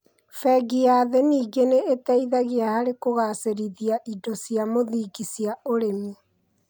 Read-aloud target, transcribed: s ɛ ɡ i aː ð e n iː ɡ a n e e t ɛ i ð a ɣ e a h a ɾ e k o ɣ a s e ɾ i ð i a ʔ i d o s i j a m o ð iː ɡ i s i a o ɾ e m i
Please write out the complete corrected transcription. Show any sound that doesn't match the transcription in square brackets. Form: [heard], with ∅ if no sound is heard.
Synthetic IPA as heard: [f] ɛ ɡ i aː ð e n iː ɡ [e] n e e t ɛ i ð a ɣ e a h a ɾ e k o ɣ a s e ɾ i ð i a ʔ i d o s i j a m o ð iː ɡ i s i a o ɾ e m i